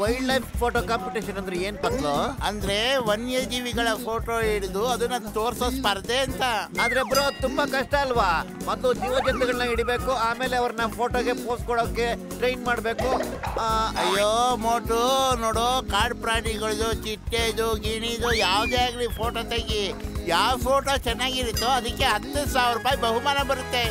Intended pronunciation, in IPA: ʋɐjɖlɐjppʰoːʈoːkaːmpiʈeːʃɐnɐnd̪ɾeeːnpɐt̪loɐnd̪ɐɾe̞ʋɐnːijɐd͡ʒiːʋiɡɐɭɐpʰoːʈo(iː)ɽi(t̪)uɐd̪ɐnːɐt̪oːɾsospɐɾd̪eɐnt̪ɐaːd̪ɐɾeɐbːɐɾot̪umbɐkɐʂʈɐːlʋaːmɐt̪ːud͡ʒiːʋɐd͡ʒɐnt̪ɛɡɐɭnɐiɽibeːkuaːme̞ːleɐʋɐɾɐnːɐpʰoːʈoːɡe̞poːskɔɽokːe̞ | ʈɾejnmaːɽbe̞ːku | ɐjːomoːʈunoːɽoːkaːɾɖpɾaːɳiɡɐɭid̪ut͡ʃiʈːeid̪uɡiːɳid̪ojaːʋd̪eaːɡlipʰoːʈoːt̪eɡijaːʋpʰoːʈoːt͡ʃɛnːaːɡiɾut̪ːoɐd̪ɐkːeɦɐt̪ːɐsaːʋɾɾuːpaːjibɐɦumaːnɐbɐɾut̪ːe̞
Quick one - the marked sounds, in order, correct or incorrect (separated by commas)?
incorrect, incorrect